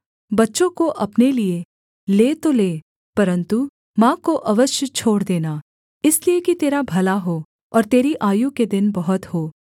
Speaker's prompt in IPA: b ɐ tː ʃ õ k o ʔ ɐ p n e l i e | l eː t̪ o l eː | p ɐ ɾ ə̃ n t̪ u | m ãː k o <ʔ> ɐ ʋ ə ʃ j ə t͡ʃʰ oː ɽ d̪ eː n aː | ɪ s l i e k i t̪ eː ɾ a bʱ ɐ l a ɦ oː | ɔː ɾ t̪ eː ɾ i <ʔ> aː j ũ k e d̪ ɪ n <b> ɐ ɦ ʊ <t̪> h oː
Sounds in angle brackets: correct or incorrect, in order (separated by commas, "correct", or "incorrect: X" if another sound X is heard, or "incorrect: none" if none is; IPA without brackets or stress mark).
correct, correct, correct, correct